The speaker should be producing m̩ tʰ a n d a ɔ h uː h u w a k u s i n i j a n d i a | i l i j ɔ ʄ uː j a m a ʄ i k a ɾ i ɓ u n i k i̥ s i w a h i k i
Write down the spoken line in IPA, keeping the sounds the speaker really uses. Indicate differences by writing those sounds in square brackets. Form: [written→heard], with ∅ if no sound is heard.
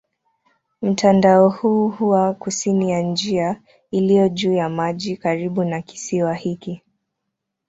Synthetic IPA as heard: m̩ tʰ a n d a ɔ h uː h u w a k u s i n i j a n [d→d͡ʒ] i a | i l i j ɔ ʄ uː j a m a ʄ i k a ɾ i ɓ u n [i→a] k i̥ s i w a h i k i